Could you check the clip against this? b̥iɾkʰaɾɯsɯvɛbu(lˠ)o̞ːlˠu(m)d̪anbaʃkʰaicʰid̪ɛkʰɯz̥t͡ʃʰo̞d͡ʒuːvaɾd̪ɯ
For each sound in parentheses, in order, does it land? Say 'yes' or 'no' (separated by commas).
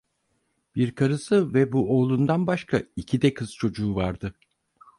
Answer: no, no